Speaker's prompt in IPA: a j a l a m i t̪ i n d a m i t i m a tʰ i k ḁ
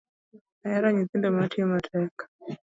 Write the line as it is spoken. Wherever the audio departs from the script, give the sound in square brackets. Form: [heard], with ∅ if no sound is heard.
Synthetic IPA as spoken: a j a [ɾ] a [ɲ] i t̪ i n d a m [a] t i m a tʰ [ɛ] k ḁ